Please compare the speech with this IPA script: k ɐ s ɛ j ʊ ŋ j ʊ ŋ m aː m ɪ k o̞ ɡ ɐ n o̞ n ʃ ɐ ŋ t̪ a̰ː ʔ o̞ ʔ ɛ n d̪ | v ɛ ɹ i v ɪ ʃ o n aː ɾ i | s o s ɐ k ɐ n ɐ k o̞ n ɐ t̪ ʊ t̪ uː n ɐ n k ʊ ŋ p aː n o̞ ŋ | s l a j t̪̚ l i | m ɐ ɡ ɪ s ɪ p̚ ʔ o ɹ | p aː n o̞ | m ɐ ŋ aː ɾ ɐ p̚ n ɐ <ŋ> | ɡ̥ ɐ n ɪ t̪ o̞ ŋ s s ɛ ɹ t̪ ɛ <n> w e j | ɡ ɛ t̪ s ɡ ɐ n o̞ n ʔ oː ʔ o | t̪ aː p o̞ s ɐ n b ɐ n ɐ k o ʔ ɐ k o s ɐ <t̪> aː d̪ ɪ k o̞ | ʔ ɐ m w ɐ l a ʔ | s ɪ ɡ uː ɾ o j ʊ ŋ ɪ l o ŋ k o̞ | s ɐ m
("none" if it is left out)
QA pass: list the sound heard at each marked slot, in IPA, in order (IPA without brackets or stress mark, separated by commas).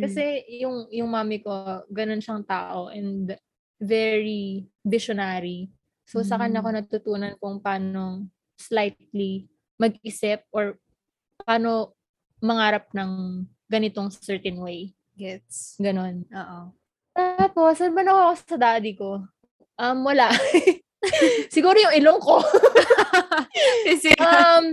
ŋ, n, d̪